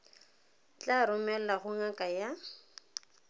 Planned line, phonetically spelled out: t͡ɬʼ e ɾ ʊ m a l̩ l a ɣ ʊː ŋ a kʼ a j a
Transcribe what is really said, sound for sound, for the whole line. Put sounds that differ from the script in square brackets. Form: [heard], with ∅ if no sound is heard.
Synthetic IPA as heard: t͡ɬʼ [a] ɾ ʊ m [ɛ] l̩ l a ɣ [ʊ] ŋ a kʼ a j a